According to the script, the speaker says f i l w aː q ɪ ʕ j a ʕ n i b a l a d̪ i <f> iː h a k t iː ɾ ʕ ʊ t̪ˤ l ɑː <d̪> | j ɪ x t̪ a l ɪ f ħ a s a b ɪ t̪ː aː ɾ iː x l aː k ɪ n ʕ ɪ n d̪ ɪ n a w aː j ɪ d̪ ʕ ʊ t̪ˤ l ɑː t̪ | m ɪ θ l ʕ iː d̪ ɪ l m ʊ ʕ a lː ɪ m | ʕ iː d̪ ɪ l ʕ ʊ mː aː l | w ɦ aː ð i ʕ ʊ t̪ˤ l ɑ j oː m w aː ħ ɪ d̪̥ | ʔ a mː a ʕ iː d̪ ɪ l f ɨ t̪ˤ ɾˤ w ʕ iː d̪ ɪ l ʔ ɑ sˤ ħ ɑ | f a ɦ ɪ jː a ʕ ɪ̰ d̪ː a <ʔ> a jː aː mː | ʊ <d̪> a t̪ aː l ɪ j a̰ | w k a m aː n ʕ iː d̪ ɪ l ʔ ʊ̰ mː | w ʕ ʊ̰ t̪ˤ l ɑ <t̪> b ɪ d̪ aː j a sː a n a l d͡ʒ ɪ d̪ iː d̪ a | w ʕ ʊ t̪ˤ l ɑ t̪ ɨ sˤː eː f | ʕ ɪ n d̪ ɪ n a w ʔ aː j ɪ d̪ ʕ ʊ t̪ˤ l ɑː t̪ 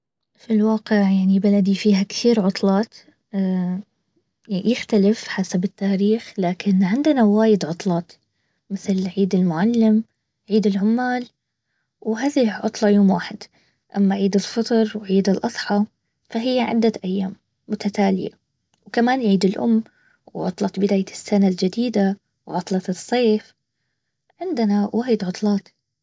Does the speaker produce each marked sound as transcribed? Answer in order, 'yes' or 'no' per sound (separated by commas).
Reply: yes, no, yes, no, yes